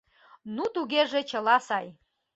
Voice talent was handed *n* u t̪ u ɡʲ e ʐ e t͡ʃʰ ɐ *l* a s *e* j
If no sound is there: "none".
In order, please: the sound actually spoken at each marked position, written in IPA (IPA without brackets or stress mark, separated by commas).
n, l, a